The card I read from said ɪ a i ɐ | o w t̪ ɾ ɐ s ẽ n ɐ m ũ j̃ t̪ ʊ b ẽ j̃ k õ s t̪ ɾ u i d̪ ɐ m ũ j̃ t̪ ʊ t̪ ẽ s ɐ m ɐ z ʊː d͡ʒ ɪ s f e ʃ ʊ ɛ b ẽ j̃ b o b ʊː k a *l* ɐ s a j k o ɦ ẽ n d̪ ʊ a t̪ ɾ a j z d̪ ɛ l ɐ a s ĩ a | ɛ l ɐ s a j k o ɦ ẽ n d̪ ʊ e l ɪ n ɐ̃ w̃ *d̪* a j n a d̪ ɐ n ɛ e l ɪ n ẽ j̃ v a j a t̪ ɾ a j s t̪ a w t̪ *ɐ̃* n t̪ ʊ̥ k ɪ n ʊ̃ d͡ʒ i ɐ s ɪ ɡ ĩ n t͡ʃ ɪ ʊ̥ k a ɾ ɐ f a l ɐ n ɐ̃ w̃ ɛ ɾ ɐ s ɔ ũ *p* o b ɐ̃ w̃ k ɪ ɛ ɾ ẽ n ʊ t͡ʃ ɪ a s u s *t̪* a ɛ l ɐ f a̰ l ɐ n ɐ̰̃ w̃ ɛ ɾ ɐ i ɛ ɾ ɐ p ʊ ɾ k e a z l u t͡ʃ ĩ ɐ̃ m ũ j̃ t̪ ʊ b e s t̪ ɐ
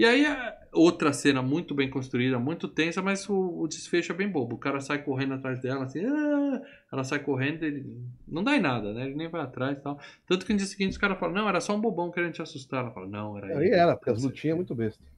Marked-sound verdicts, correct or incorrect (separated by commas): incorrect, correct, correct, incorrect, correct